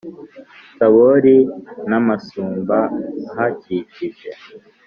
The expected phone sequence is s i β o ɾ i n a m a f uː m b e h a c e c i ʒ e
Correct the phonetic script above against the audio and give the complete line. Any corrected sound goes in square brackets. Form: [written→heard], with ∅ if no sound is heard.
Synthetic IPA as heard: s [i→a] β o ɾ i n a m a [f→s] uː m b [e→a] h a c [e→i] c i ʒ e